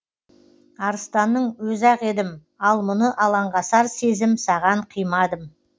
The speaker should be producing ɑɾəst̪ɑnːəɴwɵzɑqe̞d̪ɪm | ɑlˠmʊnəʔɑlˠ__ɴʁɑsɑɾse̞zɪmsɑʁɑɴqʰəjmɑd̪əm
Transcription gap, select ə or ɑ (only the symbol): ɑ